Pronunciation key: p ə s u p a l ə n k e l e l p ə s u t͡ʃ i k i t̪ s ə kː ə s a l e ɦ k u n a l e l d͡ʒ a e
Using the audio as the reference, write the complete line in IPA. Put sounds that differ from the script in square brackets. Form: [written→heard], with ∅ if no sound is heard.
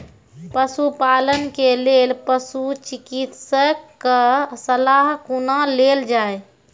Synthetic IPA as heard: p ə s u p a l ə n k e l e l p ə s u t͡ʃ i k i t̪ s ə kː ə s [a→ə] l [e→a] ɦ k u n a l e l d͡ʒ a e